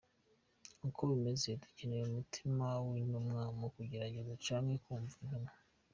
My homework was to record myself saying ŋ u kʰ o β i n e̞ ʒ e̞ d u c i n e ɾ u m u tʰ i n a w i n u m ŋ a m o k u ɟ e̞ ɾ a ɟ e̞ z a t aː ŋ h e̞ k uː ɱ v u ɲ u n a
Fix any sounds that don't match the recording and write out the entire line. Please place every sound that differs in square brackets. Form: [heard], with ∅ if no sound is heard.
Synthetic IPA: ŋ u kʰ o β i [m] e̞ [z] e̞ d u c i n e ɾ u m u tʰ i [m] a w i n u m ŋ a m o k u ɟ e̞ ɾ a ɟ e̞ z a [t͡ʃ] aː ŋ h e̞ k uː ɱ v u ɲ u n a